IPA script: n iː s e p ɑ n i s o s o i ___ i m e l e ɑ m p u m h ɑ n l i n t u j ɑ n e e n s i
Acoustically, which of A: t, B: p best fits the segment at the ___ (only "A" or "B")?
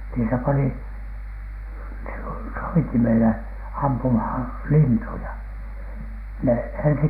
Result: A